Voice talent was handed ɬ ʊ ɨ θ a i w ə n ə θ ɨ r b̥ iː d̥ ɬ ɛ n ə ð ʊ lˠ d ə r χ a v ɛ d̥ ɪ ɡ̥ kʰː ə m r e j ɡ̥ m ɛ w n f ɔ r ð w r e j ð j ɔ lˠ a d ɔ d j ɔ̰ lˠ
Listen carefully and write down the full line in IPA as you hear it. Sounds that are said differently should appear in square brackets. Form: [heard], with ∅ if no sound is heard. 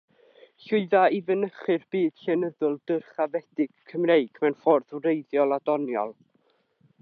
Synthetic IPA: ɬ ʊ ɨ [ð] a i [v] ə n ə [χ] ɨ r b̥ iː d̥ ɬ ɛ n ə ð ʊ lˠ d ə r χ a v ɛ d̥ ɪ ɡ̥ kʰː ə m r e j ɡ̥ m ɛ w n f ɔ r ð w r e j ð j ɔ lˠ a d ɔ [n] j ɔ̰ lˠ